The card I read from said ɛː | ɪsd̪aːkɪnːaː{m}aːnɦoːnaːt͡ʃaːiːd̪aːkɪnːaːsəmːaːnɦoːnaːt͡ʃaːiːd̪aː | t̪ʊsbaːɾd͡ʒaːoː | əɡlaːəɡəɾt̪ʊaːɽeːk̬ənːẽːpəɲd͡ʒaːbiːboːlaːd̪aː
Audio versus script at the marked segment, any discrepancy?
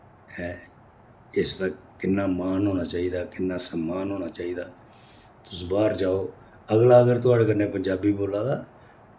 no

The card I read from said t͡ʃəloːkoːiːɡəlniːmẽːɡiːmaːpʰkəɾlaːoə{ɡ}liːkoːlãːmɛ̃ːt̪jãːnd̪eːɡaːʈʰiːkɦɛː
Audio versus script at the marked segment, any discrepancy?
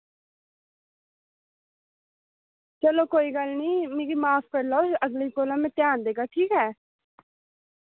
no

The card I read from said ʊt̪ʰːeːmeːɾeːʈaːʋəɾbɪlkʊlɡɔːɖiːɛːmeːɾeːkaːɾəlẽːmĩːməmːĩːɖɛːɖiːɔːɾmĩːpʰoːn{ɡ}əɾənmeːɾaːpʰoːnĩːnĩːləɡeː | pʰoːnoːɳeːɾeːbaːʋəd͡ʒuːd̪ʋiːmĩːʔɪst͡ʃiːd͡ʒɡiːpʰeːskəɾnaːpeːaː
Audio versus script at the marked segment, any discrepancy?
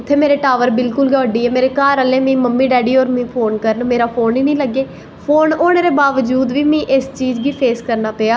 yes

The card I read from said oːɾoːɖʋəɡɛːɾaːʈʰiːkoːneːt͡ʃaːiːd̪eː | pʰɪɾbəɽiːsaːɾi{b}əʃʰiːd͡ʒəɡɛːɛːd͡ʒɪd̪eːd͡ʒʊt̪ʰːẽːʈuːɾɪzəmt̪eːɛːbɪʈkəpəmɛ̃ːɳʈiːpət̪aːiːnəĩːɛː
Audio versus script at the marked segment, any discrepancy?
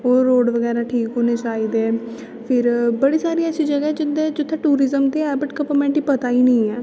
yes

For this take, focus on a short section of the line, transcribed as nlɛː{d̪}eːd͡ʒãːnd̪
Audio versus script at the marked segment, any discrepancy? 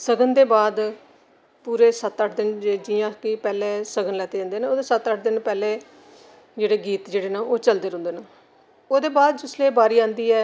yes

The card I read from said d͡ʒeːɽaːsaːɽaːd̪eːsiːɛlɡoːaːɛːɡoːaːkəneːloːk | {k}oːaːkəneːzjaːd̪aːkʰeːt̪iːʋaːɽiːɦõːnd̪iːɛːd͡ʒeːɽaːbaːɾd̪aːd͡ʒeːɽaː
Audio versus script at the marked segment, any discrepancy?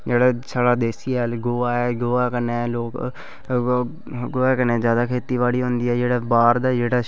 yes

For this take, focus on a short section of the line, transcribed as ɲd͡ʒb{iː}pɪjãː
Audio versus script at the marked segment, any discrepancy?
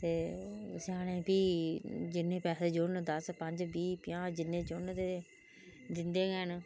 no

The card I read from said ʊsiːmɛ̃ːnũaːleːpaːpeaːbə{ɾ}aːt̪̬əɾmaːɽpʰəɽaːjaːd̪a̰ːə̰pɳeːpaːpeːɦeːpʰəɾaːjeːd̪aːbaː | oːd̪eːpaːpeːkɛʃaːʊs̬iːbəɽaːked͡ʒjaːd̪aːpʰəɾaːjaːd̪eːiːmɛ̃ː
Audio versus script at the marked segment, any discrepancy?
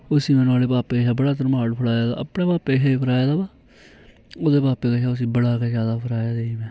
yes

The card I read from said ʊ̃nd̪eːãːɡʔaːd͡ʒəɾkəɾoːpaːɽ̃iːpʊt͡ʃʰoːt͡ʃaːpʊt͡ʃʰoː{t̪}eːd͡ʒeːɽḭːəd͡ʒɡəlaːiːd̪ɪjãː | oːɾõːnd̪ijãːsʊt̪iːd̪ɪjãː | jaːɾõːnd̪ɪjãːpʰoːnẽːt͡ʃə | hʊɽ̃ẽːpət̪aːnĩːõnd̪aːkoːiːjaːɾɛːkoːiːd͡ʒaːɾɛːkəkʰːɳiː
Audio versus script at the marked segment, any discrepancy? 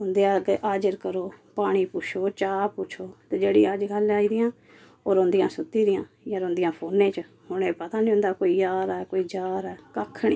no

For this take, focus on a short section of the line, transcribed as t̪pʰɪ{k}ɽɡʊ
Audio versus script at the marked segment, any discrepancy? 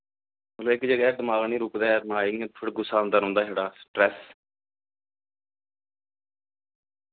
yes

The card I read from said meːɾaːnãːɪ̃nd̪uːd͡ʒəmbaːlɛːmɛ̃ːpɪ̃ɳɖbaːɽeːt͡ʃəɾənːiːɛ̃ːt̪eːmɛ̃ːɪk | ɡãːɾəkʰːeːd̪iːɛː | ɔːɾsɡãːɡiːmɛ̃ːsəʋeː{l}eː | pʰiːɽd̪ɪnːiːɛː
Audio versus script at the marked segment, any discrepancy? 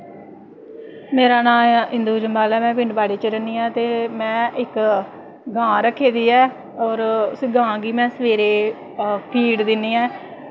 yes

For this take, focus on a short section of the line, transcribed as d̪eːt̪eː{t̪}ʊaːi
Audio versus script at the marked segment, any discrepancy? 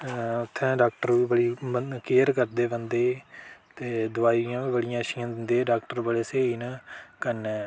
yes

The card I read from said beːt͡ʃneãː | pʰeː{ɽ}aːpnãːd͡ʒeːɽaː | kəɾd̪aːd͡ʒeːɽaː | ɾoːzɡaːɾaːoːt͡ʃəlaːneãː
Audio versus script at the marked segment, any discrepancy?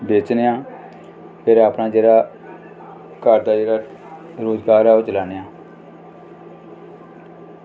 yes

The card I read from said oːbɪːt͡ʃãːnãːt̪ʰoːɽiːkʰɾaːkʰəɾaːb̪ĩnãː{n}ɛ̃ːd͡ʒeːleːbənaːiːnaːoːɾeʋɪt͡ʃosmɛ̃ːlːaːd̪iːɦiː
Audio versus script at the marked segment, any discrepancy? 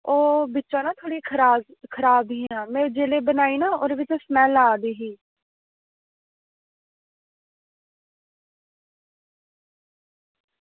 yes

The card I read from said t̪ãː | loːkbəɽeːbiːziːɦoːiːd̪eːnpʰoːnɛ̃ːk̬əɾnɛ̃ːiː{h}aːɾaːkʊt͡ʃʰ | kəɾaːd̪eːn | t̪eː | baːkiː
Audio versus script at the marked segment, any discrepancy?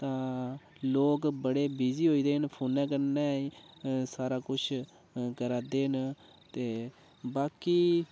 yes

